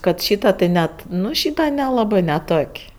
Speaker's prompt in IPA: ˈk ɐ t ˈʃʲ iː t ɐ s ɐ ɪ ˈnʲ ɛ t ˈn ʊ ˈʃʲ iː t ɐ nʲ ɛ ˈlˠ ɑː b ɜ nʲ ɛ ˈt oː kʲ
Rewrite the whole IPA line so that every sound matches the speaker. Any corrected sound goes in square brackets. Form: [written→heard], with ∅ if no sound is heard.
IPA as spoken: ˈk ɐ t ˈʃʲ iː t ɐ [s→t] ɐ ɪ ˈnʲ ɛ t ˈn ʊ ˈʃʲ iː t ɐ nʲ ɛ ˈlˠ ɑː b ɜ nʲ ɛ ˈt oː kʲ